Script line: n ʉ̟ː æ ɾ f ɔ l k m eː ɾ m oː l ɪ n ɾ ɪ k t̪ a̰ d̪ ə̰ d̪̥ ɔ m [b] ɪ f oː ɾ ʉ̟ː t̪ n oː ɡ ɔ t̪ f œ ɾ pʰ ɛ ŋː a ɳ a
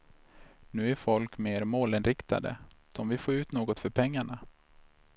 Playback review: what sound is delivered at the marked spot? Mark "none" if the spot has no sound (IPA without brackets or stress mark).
v